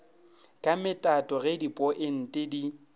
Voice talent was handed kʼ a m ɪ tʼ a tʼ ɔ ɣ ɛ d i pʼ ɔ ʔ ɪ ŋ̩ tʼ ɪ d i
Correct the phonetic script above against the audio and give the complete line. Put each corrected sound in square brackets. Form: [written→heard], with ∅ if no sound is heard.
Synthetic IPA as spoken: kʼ a m ɪ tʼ a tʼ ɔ ɣ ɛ d i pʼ ɔ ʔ ɪ [ŋ̩→n̩] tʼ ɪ d i